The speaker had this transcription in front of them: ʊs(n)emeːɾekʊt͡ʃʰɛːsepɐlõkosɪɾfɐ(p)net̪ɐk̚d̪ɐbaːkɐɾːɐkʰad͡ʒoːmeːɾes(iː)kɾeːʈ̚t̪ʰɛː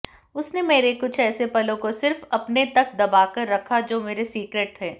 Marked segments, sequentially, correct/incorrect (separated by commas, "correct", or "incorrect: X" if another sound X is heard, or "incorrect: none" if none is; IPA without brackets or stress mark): correct, correct, correct